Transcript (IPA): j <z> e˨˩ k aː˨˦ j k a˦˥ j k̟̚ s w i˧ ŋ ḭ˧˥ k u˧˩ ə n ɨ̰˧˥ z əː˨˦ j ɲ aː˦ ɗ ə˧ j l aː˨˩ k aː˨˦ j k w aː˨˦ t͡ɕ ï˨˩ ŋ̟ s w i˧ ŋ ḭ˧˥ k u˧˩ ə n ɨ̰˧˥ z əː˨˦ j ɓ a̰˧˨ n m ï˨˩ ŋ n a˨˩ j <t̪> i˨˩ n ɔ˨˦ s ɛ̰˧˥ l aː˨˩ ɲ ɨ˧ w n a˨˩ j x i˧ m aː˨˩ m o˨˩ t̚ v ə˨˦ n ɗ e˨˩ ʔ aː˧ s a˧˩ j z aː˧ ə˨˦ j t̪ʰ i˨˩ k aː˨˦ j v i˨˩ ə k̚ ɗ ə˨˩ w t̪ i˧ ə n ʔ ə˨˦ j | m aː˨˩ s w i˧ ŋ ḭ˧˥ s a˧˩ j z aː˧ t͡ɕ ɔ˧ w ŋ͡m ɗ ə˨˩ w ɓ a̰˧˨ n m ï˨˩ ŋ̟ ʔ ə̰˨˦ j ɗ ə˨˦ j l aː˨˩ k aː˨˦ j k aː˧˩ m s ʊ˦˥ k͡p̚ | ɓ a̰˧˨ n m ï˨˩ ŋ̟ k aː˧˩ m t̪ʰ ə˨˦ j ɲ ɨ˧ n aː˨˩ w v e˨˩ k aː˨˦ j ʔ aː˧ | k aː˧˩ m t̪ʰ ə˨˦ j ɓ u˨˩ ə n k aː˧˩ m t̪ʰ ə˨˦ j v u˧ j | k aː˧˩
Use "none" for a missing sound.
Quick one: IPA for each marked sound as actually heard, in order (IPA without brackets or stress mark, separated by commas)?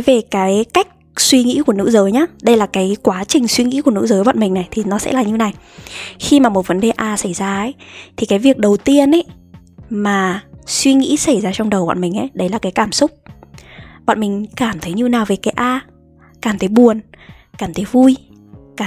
v, t̪ʰ